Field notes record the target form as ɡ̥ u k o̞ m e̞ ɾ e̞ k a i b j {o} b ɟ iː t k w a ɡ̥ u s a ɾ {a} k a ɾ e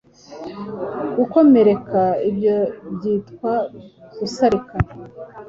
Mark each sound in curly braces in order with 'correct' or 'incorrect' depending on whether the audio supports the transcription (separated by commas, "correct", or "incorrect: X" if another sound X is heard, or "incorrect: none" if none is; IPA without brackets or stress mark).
correct, incorrect: i